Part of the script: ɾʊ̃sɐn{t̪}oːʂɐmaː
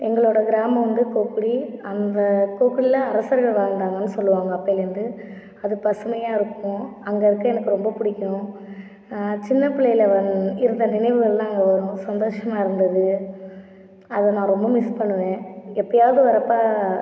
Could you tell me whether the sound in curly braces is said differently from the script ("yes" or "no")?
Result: yes